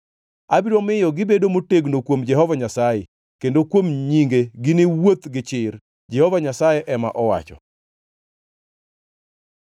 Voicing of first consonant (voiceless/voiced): voiced